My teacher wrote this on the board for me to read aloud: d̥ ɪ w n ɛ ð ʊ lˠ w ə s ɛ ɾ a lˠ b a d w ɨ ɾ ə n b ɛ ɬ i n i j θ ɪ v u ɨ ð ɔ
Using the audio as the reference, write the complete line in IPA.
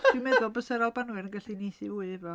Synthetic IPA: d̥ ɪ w m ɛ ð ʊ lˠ b ə s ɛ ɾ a lˠ b a n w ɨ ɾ ə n ɡ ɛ ɬ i n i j θ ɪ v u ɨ v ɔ